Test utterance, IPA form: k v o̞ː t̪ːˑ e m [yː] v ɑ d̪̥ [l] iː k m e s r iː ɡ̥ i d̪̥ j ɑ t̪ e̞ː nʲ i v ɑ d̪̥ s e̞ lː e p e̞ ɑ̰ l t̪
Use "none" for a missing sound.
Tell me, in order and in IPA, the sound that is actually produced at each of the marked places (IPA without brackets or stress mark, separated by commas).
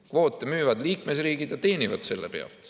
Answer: yː, l